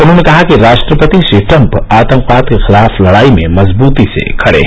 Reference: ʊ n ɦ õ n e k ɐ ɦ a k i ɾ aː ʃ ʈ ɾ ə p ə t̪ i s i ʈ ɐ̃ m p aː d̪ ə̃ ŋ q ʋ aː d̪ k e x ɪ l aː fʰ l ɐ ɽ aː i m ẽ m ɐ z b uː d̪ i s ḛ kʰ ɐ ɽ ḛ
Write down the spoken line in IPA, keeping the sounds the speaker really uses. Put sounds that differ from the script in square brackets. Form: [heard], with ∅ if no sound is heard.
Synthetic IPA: ʊ n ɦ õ n e k ɐ ɦ a k i ɾ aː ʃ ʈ ɾ ə p ə t̪ i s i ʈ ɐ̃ m p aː [t̪] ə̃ ŋ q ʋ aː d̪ k e x ɪ l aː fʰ l ɐ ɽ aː i m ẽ m ɐ z b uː [t̪] i s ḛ kʰ ɐ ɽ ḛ

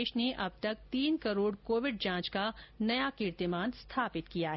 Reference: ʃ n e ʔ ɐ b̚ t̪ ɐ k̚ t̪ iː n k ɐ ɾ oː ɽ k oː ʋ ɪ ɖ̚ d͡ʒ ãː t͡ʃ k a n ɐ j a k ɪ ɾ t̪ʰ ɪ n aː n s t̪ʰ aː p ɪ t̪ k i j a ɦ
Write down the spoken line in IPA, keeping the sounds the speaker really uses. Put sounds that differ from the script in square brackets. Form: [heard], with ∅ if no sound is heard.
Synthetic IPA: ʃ n e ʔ ɐ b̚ t̪ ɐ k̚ t̪ iː n k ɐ ɾ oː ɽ k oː ʋ ɪ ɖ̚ d͡ʒ ãː t͡ʃ k a n ɐ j a k ɪ ɾ [t̪] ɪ [m] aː n s t̪ʰ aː p ɪ t̪ k i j a ɦ

